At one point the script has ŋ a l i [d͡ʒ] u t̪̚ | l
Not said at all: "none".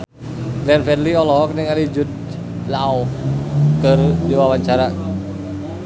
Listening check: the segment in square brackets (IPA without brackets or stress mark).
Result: d͡ʒ